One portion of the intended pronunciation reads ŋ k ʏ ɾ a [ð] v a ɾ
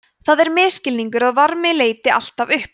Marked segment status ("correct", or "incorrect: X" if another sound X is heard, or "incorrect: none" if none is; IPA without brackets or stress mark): correct